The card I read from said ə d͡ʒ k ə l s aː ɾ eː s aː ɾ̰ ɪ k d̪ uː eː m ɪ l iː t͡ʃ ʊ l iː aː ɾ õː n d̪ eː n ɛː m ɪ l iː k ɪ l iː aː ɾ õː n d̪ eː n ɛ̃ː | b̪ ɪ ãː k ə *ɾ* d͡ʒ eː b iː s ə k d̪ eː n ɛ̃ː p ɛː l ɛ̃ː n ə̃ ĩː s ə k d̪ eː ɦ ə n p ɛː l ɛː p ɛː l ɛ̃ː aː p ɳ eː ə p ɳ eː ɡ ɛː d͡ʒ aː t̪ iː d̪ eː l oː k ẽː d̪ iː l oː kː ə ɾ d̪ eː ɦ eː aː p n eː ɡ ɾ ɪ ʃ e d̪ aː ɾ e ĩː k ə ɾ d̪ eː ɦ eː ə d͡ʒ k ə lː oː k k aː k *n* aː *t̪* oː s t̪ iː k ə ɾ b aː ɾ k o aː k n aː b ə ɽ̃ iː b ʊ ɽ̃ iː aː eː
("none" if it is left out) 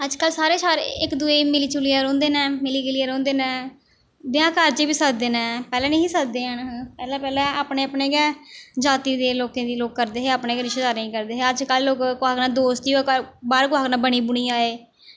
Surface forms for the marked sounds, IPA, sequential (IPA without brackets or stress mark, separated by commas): ɾ, n, d̪